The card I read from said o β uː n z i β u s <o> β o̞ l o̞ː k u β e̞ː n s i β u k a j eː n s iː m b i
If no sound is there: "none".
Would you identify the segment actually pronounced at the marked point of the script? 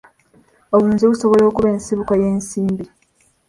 o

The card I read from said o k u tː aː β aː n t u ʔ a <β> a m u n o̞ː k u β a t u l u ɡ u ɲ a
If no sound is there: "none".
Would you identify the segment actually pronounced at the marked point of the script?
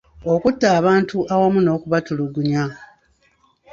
w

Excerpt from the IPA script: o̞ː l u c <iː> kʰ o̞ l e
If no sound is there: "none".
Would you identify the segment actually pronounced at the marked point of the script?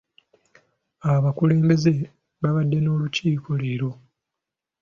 iː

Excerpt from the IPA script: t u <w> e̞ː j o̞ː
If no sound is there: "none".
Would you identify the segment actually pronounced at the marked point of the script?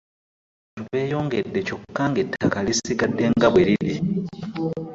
β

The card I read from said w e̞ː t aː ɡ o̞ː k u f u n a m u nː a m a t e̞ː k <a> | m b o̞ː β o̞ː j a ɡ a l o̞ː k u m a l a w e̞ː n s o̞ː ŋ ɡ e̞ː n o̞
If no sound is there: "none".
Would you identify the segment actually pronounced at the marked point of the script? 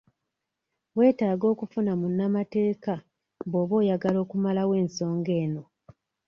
a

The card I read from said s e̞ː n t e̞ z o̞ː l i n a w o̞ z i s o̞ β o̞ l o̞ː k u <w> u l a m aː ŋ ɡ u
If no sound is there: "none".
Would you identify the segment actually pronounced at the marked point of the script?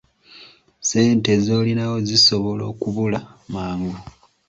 β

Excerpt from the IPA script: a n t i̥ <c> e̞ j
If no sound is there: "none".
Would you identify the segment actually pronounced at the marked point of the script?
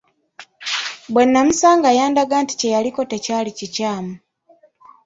c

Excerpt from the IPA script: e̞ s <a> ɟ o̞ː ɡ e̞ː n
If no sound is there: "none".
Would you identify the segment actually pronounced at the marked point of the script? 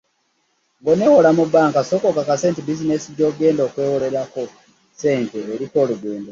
i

